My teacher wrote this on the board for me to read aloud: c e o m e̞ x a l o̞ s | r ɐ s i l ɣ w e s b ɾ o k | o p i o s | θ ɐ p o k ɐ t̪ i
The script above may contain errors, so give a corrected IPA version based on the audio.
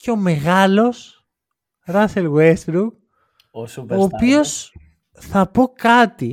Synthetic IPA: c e o m e̞ ɣ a l o̞ s | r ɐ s e l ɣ w e s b ɾ u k | o p i o s | θ ɐ p o k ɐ t̪ i